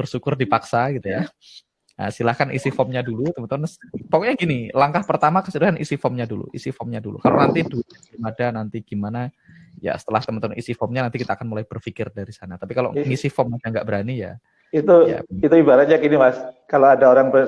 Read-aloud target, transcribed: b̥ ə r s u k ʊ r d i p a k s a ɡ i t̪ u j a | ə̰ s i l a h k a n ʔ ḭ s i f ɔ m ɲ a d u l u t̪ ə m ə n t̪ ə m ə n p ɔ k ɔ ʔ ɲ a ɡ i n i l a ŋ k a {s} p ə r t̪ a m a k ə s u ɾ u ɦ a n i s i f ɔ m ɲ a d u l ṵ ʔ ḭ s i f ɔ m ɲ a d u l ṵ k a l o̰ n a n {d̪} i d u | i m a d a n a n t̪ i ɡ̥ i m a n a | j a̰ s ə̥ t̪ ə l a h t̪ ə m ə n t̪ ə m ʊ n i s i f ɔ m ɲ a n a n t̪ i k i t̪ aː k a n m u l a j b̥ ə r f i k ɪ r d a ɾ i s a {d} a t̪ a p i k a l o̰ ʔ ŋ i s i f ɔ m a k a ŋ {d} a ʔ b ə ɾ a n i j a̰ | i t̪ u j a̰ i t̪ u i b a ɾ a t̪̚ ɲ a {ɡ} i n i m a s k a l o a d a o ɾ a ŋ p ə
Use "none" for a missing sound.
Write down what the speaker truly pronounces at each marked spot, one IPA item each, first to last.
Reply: h, t̪, n, ɡ, k

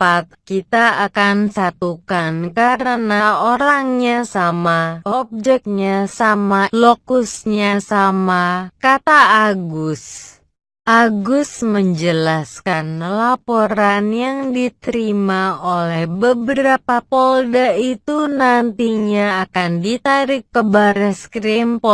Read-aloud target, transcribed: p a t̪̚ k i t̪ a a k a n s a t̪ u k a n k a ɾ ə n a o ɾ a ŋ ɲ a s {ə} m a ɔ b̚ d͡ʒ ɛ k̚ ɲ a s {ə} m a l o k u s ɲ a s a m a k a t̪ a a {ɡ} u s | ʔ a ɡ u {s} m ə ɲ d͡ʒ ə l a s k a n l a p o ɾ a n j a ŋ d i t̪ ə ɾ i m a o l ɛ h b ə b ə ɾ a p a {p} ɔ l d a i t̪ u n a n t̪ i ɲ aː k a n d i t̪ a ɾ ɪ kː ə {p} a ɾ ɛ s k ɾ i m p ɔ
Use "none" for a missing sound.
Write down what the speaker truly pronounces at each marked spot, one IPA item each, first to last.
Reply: a, a, ɡ, s, p, b

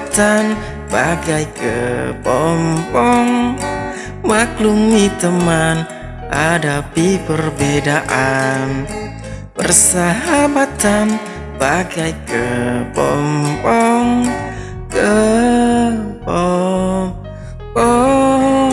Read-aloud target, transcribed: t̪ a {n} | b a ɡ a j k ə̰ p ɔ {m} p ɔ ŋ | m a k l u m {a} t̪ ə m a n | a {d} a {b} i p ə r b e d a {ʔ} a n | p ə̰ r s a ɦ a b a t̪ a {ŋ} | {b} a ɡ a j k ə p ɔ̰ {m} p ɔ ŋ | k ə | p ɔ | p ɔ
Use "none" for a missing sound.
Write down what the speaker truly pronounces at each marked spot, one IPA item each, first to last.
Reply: n, m, i, d, p, ʔ, n, b, m

